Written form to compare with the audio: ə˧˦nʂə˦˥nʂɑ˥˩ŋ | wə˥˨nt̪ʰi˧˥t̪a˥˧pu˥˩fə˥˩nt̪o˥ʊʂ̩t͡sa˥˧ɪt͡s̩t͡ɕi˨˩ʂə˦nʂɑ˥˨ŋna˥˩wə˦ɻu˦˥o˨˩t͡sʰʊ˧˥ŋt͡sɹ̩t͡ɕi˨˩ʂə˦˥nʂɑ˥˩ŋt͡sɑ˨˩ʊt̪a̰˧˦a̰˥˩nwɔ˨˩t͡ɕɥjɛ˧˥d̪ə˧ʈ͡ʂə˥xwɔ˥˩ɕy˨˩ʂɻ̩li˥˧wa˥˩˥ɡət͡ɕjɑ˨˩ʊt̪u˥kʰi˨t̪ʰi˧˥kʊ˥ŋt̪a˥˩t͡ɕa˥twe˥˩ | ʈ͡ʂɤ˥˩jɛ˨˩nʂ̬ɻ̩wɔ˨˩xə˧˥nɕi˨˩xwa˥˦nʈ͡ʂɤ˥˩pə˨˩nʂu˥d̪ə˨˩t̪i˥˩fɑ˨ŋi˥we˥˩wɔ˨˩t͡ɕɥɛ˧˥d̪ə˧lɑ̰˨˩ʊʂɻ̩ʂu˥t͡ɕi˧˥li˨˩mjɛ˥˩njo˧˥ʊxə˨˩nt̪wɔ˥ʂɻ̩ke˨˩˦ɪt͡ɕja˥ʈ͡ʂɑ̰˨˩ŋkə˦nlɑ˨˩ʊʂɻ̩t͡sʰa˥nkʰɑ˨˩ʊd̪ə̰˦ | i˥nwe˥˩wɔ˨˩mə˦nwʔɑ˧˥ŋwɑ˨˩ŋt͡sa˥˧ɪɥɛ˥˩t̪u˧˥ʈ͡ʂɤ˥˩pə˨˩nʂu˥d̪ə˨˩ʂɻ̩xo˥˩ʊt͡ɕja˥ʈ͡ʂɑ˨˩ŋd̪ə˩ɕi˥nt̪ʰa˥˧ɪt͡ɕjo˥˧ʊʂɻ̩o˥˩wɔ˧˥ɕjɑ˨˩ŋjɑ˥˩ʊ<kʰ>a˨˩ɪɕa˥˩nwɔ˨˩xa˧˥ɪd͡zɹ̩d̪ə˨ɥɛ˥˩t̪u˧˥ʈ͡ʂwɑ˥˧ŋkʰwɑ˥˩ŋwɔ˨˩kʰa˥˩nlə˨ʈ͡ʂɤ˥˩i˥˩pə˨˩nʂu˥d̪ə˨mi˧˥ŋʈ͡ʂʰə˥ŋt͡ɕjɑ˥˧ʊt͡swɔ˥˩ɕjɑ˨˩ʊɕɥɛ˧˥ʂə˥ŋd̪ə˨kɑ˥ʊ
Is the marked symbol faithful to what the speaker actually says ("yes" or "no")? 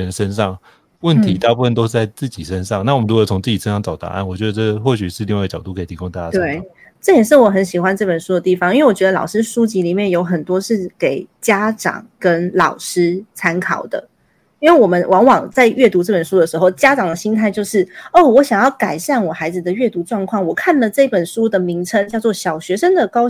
no